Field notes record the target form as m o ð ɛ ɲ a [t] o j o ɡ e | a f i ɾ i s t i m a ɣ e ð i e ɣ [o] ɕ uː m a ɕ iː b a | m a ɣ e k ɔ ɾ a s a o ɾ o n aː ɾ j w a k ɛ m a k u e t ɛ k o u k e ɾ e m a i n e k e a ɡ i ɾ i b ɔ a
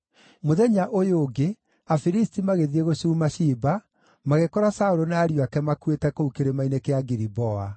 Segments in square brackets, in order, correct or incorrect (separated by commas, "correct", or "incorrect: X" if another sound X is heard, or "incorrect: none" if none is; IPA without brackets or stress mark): incorrect: ʔ, correct